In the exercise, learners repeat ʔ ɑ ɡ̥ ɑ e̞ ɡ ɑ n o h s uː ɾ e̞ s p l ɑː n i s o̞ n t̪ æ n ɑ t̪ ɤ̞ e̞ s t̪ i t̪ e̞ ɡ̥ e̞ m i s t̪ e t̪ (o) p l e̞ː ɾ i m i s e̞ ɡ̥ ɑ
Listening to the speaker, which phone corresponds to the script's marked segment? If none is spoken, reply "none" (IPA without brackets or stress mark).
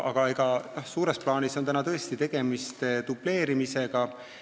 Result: u